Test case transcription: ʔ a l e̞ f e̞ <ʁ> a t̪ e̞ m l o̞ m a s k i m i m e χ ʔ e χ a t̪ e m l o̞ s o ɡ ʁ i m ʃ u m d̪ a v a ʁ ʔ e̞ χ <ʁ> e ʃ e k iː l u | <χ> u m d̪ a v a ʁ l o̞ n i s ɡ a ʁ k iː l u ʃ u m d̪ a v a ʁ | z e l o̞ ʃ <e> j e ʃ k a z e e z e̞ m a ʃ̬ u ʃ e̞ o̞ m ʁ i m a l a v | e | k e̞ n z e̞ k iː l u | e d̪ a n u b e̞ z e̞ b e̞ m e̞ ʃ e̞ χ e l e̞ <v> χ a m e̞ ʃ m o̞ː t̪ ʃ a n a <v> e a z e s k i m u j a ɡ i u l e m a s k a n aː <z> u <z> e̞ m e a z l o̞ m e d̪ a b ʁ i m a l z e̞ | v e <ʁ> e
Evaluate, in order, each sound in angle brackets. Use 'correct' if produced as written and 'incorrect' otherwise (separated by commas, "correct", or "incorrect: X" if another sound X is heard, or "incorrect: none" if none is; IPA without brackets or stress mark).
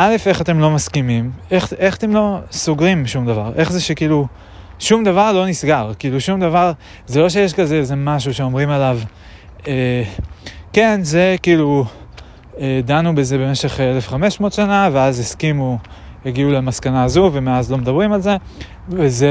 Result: incorrect: χ, incorrect: z, incorrect: ʃ, correct, incorrect: f, correct, correct, incorrect: v, incorrect: z